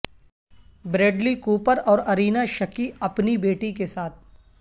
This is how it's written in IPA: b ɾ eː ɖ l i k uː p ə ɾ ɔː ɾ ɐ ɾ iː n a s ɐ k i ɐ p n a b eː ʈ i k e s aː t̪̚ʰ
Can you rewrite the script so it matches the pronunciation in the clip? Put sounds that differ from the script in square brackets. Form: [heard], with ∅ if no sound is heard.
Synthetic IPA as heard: b ɾ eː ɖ l i k uː p ə ɾ ɔː ɾ ɐ ɾ iː n a [ʃ] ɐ k i ɐ p n [i] b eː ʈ i k e s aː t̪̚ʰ

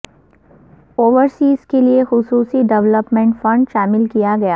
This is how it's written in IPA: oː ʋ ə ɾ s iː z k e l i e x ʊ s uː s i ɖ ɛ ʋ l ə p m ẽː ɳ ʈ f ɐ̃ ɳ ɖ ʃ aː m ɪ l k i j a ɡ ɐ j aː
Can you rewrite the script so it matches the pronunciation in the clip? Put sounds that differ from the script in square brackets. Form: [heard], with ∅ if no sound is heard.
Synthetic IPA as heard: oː ʋ ə ɾ s iː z k e l i e x ʊ s uː s i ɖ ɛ ʋ l ə p m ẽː ɳ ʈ f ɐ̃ ɳ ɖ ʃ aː m ɪ l k i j a ɡ ɐ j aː

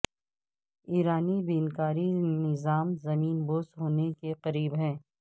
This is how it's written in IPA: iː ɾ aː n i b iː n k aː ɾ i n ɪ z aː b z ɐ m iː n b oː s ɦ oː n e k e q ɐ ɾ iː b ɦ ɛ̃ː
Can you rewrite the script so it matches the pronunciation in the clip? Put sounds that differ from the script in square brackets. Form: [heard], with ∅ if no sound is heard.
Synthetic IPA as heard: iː ɾ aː n i b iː n k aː ɾ i n ɪ z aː [m] z ɐ m iː n b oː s ɦ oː n e k e q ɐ ɾ iː b ɦ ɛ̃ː

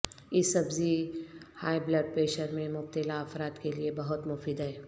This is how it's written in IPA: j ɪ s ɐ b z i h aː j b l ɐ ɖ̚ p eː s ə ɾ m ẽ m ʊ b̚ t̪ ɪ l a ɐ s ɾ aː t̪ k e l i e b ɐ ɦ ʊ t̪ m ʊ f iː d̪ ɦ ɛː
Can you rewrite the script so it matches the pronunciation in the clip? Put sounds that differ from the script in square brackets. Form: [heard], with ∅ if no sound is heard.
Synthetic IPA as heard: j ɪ s ɐ b z i h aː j b l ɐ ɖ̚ p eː [ʃ] ə ɾ m ẽ m ʊ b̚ t̪ ɪ l a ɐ [f] ɾ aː t̪ k e l i e b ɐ ɦ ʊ t̪ m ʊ f iː d̪ ɦ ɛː

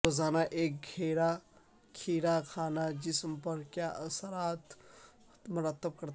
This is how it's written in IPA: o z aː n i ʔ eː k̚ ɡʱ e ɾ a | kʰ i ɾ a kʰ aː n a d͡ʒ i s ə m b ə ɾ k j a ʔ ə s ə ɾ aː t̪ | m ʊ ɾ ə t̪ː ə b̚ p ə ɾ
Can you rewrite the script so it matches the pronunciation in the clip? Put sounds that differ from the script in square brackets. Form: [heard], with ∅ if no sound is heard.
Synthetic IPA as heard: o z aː n [a] ʔ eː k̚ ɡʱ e ɾ a | kʰ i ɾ a kʰ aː n a d͡ʒ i s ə m [p] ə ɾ k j a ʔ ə s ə ɾ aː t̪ | m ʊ ɾ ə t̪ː ə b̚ [k] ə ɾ

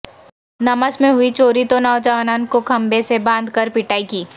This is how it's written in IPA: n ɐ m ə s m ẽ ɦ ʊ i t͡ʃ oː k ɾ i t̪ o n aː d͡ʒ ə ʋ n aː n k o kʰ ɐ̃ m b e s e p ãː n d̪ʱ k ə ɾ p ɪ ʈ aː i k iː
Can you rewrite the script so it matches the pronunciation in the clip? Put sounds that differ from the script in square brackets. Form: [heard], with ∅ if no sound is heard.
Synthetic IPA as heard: n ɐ m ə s m ẽ ɦ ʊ i t͡ʃ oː [∅] ɾ i t̪ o n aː d͡ʒ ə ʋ n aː n k o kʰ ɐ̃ m b e s e [b] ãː n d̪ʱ k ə ɾ p ɪ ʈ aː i k iː

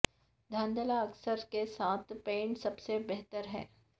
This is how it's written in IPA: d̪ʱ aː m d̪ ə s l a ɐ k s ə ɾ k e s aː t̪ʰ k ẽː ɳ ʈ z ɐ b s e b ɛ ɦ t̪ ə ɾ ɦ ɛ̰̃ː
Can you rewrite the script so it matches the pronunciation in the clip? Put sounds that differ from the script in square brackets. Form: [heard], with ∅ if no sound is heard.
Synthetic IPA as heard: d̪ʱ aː [n] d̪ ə [∅] l a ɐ k s ə ɾ k e s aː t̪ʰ [p] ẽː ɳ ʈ [s] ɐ b s e b ɛ ɦ t̪ ə ɾ ɦ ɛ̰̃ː

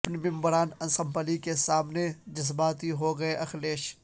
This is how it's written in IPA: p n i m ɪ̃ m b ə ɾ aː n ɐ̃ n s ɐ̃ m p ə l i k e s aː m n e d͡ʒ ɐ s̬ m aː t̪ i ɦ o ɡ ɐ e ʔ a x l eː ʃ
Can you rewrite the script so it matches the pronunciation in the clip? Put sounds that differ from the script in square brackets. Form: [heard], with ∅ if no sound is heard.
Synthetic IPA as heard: p n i m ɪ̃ m b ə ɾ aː n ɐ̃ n s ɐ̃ m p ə l i k e s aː m n e d͡ʒ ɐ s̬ [b] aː t̪ i ɦ o ɡ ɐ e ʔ [ɐ] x l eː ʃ

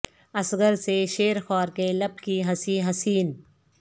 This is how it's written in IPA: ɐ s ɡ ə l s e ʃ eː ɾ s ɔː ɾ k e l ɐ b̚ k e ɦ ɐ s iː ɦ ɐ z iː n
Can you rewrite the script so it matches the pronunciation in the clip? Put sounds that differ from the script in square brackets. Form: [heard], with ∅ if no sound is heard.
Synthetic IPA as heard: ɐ s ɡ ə [ɾ] s e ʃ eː ɾ [x] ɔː ɾ k e l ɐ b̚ k [i] ɦ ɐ s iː ɦ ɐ [s] iː n

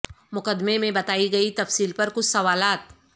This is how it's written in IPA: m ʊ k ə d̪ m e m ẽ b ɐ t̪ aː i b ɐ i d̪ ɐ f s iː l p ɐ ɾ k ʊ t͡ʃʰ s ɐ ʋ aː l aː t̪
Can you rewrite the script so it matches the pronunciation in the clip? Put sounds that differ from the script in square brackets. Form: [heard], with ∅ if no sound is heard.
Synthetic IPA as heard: m ʊ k ə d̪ m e m ẽ b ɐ t̪ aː i [ɡ] ɐ i [t̪] ɐ f s iː l p ɐ ɾ k ʊ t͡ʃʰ s ɐ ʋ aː l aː t̪

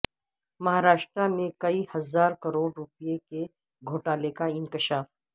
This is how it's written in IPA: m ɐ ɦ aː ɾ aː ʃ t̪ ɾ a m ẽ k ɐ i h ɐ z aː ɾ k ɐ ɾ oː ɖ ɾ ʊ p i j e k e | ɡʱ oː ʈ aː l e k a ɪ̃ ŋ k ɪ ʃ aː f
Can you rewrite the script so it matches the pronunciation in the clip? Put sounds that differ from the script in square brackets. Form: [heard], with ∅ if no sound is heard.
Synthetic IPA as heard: m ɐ ɦ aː ɾ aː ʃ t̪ ɾ a m ẽ k ɐ i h ɐ z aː ɾ k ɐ ɾ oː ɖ ɾ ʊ p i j e k e | ɡʱ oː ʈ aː l e k a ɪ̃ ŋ k ɪ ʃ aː f

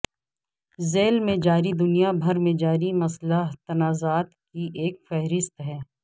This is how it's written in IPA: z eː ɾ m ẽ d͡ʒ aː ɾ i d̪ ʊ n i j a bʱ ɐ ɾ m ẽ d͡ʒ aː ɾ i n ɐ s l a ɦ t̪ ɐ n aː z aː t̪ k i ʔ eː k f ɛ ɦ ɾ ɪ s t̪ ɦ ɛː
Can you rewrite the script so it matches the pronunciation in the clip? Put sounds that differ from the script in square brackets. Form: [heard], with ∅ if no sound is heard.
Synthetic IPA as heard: z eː [l] m ẽ d͡ʒ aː ɾ i d̪ ʊ n i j a bʱ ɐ ɾ m ẽ d͡ʒ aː ɾ i [m] ɐ s l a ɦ t̪ ɐ n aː z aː t̪ k i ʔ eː k f ɛ ɦ ɾ ɪ s t̪ ɦ ɛː

